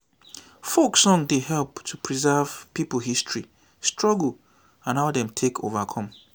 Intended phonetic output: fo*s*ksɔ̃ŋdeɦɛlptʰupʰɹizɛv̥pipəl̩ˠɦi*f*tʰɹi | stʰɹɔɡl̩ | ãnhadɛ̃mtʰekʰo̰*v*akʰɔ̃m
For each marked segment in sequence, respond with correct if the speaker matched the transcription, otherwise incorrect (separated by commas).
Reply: incorrect, incorrect, correct